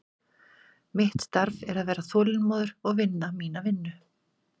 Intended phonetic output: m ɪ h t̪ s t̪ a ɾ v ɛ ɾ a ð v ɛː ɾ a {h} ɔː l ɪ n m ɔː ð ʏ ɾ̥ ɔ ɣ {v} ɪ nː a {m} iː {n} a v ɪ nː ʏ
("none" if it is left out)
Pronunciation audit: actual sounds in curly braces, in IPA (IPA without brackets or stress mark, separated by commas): θ, v, m, n